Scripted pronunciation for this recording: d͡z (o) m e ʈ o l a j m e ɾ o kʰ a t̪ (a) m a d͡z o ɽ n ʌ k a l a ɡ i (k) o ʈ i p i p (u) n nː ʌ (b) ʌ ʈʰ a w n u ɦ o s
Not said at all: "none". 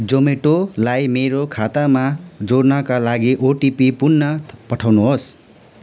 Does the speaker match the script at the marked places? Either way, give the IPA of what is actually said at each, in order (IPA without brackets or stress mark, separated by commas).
o, a, ʔ, u, p